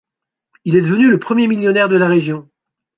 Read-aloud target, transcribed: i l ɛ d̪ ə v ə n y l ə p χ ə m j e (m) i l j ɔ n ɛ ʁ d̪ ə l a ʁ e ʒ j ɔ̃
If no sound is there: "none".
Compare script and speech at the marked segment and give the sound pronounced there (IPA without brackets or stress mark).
m